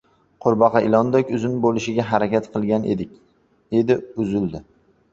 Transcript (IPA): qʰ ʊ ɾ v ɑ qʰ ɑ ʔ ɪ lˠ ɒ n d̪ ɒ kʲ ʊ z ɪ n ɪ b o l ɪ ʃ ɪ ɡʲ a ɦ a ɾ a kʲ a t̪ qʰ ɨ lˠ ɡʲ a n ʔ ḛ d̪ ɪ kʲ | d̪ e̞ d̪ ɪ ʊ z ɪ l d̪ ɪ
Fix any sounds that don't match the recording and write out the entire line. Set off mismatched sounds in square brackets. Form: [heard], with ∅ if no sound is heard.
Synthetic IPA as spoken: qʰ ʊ ɾ [b] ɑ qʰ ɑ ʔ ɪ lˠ ɒ n d̪ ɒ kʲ ʊ z ɪ n ɪ b o l ɪ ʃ ɪ ɡʲ a ɦ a ɾ a kʲ a t̪ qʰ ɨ lˠ ɡʲ a n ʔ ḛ d̪ ɪ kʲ | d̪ e̞ d̪ ɪ ʊ z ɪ l d̪ ɪ